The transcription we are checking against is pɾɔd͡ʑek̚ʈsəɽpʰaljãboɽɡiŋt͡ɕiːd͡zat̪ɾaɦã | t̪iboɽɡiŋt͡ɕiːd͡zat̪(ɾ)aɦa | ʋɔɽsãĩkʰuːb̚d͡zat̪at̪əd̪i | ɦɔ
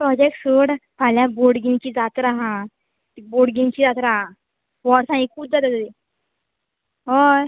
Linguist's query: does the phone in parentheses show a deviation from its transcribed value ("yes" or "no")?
no